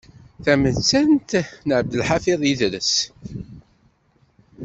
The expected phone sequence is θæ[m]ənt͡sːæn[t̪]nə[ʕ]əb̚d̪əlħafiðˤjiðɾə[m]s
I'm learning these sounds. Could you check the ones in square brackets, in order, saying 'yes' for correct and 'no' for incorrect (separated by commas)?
yes, yes, yes, no